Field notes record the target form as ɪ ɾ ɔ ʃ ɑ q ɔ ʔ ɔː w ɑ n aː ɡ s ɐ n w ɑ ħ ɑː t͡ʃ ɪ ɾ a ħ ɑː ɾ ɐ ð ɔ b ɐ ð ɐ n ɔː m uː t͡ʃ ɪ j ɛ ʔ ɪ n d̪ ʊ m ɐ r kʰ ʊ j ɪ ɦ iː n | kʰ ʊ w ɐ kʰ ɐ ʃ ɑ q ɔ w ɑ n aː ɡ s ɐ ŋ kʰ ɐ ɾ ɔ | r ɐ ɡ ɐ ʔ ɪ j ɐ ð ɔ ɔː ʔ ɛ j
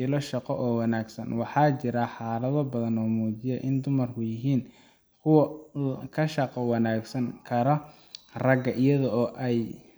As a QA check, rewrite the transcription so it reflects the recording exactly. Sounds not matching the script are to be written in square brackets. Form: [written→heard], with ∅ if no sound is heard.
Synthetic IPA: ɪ [ɾ→l] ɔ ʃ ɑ q ɔ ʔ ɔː w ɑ n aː ɡ s ɐ n w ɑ ħ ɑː t͡ʃ ɪ ɾ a ħ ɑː [ɾ→l] ɐ ð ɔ b ɐ ð ɐ n ɔː m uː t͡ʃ ɪ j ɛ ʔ ɪ n d̪ ʊ m ɐ r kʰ ʊ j ɪ ɦ iː n | kʰ ʊ w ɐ kʰ ɐ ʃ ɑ q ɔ w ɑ n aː ɡ s ɐ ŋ kʰ ɐ ɾ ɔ | r ɐ ɡ ɐ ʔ ɪ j ɐ ð ɔ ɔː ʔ ɛ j